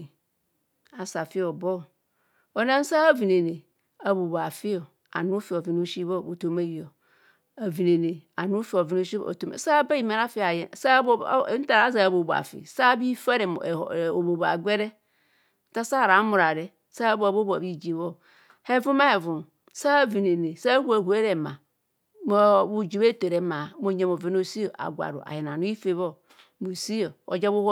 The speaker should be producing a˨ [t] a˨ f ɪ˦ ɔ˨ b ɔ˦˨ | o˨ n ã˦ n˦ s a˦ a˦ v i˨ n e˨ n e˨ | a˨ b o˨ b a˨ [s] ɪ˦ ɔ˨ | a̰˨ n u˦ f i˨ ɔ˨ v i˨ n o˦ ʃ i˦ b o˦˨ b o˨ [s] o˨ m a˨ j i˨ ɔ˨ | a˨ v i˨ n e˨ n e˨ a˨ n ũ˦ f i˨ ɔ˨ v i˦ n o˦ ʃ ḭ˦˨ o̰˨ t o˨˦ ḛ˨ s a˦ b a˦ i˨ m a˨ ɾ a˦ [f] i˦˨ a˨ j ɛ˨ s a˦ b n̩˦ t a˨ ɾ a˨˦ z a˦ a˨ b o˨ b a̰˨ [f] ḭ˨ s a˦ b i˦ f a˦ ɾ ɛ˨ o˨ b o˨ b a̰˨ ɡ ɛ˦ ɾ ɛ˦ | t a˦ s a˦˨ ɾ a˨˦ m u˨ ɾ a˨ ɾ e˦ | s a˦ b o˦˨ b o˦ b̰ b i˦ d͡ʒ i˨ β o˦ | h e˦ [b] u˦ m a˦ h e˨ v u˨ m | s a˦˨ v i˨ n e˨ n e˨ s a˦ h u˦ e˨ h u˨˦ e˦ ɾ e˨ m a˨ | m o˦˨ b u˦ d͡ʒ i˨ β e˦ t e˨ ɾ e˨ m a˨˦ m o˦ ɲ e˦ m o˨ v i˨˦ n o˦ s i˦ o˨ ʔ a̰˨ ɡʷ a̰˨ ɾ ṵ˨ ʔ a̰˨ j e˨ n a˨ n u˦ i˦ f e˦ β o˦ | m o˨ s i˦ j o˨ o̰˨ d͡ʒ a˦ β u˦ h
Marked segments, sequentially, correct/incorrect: incorrect: s, incorrect: f, incorrect: t, correct, correct, incorrect: v

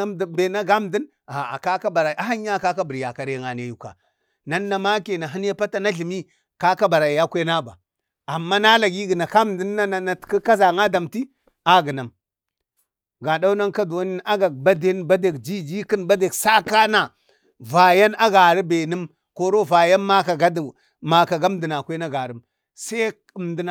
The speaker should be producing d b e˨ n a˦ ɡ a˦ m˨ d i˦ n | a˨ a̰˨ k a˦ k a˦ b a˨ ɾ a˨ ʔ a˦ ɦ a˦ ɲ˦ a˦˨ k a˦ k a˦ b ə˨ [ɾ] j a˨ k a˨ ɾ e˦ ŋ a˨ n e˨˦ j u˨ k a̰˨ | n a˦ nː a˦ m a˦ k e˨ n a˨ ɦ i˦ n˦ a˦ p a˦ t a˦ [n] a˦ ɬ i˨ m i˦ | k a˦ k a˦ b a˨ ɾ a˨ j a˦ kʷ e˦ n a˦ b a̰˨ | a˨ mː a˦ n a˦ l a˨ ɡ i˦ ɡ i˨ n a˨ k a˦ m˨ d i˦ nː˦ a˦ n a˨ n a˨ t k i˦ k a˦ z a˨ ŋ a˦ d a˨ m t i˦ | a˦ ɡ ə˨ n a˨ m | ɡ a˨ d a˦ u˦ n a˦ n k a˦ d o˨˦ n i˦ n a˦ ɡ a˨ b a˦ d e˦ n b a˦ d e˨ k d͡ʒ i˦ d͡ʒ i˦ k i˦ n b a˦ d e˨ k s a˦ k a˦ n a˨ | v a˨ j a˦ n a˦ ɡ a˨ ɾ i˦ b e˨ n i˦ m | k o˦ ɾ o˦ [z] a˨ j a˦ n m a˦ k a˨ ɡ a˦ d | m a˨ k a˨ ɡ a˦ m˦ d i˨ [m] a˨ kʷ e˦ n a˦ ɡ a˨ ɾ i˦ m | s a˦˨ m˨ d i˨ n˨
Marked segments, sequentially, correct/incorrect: correct, correct, incorrect: v, incorrect: n

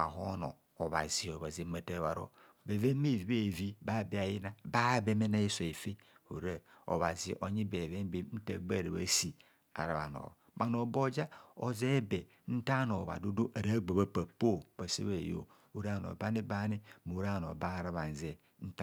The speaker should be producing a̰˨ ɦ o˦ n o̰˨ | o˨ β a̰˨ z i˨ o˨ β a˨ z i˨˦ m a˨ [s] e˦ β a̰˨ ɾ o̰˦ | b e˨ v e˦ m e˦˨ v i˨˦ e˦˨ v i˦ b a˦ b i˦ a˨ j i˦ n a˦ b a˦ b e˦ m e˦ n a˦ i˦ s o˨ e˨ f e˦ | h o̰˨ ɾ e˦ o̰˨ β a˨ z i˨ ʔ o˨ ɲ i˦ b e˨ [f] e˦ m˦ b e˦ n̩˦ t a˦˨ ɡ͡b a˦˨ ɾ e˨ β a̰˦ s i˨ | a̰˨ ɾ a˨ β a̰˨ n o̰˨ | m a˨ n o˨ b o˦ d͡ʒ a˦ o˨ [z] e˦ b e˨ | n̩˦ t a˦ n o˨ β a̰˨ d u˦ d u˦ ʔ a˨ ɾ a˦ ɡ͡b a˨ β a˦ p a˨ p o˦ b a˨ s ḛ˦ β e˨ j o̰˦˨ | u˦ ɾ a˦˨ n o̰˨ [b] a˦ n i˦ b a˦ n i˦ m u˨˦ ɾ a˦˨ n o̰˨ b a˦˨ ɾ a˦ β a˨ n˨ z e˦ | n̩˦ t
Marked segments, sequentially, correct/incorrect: incorrect: t, incorrect: v, correct, correct

